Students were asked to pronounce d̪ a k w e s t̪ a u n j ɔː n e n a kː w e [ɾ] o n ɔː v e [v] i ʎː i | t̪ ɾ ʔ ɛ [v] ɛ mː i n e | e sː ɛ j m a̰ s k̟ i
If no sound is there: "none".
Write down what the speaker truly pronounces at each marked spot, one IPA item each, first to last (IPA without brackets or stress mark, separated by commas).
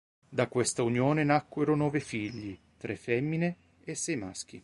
ɾ, f, f